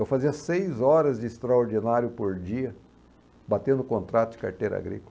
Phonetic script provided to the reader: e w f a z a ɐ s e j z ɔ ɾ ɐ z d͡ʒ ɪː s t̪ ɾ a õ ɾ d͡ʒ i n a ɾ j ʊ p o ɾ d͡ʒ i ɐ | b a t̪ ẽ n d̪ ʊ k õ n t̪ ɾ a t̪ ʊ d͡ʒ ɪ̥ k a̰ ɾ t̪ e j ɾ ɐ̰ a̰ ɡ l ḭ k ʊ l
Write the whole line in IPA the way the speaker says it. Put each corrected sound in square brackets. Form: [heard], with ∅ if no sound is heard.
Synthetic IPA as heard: e w f a z [i] ɐ s e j z ɔ ɾ ɐ z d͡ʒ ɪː s t̪ ɾ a [o] ɾ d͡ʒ i n a ɾ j ʊ p o ɾ d͡ʒ i ɐ | b a t̪ ẽ n d̪ ʊ k õ n t̪ ɾ a t̪ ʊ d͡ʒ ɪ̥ k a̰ ɾ t̪ e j ɾ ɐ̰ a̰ ɡ [ɾ] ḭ k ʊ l

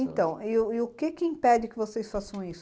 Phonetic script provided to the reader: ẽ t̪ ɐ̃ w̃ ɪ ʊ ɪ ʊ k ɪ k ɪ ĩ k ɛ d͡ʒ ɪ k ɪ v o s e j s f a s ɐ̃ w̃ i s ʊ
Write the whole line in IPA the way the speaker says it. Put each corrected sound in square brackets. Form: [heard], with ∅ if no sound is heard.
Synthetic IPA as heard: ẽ t̪ ɐ̃ w̃ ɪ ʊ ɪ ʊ k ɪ k ɪ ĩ [p] ɛ d͡ʒ ɪ k ɪ v o s e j s f a s ɐ̃ w̃ i s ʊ

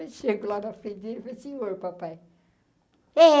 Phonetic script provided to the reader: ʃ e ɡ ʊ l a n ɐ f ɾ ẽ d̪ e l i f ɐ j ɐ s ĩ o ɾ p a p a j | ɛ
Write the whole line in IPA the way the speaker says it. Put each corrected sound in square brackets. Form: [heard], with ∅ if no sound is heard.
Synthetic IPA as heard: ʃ e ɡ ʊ l a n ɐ f ɾ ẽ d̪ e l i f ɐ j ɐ s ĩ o ɾ p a p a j | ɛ

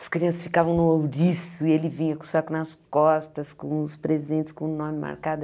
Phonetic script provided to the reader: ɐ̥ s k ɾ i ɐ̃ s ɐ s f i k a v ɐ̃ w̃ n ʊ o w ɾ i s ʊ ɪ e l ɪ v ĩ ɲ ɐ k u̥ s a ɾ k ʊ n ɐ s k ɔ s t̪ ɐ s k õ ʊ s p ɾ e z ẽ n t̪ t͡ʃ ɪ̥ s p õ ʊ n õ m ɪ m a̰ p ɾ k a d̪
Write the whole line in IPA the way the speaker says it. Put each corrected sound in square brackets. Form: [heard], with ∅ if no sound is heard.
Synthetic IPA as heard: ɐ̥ s k ɾ i ɐ̃ s ɐ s f i k a v ɐ̃ w̃ n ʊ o w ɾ i s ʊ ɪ e l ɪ v ĩ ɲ ɐ k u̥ s a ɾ k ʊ n ɐ s k ɔ s t̪ ɐ s k õ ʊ s p ɾ e z ẽ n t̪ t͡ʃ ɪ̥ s [k] õ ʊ n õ m ɪ m a̰ [∅] ɾ k a d̪

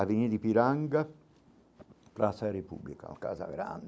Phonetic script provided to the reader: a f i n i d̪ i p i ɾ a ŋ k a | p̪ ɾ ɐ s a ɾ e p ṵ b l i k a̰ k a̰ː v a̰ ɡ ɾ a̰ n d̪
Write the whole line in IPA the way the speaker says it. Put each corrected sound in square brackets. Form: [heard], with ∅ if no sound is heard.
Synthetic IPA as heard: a [v] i n i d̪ i p i ɾ a ŋ [ɡ] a | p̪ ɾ [a] s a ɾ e p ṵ b l i k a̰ k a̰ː [z] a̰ ɡ ɾ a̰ n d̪

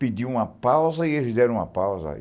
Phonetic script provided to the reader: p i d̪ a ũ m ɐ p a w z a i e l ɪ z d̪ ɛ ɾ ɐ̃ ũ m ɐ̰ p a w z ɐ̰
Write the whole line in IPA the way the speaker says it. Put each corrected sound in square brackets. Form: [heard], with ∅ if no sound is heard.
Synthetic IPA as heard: p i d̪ [i] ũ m ɐ p a w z [ɐ] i e l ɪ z d̪ ɛ ɾ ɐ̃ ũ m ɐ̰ p a w z ɐ̰

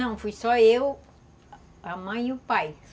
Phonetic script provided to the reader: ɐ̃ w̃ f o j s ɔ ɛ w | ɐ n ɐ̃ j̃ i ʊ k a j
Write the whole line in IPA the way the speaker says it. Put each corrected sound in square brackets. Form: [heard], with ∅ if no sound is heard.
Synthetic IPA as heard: ɐ̃ w̃ f [u] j s ɔ [e] w | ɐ [m] ɐ̃ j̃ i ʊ [p] a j

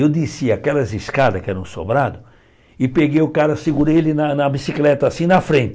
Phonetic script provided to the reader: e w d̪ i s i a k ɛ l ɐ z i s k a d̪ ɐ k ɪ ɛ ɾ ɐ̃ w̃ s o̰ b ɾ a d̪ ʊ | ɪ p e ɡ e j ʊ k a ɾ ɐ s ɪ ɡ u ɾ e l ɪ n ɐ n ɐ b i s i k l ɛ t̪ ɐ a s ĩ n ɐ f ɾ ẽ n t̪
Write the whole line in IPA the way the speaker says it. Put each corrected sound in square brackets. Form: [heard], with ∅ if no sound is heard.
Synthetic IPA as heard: e w d̪ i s i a k ɛ l ɐ z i s k a d̪ ɐ k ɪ ɛ ɾ ɐ̃ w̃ s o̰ b ɾ a d̪ ʊ | ɪ p e ɡ e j ʊ k a ɾ ɐ s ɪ ɡ u ɾ e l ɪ n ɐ n ɐ b i s i k l ɛ t̪ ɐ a s ĩ n ɐ f ɾ ẽ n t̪

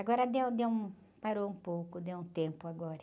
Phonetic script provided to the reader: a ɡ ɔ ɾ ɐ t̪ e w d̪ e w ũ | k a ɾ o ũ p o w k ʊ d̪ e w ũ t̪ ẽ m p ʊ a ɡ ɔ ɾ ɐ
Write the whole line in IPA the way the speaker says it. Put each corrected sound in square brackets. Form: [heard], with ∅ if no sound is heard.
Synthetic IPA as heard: a ɡ ɔ ɾ ɐ [d̪] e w d̪ e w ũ | [p] a ɾ o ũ p o w k ʊ d̪ e w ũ t̪ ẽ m p ʊ a ɡ ɔ ɾ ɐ

